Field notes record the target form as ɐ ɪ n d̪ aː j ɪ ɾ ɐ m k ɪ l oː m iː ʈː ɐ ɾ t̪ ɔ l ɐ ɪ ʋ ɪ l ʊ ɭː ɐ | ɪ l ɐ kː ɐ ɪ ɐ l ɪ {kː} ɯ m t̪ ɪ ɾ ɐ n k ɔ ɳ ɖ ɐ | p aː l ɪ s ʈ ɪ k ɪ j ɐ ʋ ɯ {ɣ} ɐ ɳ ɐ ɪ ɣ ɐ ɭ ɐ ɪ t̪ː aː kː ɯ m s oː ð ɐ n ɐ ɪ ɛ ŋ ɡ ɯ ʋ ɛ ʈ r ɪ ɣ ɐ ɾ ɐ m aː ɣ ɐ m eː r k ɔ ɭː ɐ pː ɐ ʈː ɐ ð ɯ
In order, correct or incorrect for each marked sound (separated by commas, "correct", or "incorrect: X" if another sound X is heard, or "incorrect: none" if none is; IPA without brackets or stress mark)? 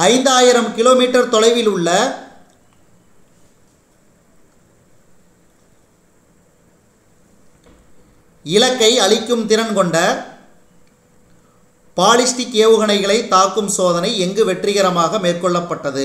correct, correct